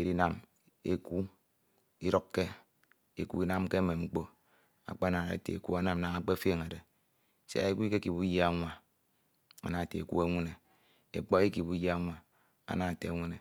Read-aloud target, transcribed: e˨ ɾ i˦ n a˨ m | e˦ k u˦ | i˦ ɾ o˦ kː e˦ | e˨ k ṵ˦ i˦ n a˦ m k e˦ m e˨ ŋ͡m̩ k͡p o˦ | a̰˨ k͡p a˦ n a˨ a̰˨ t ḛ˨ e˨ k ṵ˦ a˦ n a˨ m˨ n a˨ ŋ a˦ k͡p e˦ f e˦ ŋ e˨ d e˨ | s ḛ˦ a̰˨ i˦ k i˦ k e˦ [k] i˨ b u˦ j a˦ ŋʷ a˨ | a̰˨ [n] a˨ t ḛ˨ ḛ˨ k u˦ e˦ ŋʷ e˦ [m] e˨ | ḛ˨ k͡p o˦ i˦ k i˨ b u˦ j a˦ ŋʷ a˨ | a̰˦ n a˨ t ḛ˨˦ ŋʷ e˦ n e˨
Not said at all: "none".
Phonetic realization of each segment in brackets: k, n, n

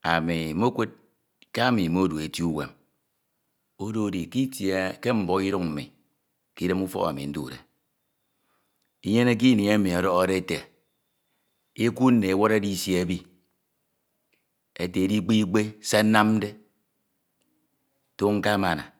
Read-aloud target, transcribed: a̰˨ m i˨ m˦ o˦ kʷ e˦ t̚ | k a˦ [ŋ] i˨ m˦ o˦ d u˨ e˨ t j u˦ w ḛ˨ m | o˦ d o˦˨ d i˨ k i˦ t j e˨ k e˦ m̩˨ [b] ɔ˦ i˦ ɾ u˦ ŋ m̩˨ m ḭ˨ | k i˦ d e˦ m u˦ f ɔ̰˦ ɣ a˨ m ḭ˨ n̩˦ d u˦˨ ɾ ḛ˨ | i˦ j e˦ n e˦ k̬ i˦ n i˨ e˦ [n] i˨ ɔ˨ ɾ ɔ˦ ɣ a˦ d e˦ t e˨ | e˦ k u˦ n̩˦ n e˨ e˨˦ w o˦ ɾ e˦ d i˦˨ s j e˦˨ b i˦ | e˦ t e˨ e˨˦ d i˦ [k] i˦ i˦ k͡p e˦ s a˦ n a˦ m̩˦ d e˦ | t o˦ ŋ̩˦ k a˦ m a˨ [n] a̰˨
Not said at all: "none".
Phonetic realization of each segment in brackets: m, b, m, k͡p, n

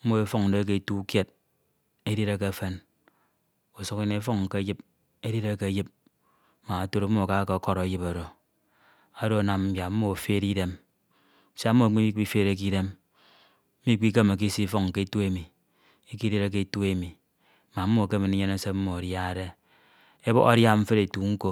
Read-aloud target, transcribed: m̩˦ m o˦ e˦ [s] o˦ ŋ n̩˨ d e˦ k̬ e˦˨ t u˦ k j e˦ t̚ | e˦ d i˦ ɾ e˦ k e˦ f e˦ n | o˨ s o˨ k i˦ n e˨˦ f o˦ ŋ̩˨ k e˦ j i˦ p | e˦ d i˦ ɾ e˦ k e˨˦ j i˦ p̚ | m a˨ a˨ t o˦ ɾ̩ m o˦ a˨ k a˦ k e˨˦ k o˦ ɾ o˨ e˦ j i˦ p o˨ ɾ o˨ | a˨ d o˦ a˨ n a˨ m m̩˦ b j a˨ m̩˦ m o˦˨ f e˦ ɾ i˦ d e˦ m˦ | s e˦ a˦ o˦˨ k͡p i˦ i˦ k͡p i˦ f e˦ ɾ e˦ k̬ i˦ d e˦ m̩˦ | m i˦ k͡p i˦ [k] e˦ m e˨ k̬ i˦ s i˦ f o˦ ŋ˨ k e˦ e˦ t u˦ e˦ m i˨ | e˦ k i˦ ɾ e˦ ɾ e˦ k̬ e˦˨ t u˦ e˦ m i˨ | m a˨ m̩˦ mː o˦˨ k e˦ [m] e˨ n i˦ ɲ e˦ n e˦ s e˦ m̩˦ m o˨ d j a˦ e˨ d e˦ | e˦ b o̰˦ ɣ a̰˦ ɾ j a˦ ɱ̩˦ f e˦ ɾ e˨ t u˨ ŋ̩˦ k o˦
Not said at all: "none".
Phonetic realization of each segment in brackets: f, k, m

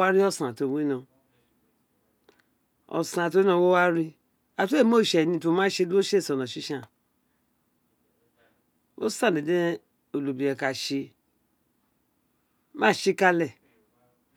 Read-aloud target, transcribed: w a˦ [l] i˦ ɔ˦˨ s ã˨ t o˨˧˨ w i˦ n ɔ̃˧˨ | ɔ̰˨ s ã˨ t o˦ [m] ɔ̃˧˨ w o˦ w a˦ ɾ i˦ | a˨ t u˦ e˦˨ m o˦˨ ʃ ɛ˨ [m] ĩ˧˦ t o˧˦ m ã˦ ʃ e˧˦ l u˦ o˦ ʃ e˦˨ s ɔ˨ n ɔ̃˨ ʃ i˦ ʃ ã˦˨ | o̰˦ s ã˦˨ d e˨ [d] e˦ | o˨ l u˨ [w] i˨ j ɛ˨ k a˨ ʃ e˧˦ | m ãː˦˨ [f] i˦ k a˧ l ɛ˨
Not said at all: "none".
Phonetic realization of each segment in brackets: ɾ, n, n, d, b, ʃ

